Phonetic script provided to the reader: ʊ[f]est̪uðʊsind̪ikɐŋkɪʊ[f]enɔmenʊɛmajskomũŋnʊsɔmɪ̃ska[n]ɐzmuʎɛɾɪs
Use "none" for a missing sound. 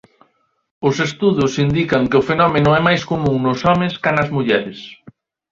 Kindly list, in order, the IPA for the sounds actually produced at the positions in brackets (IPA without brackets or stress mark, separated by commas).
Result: s, f, n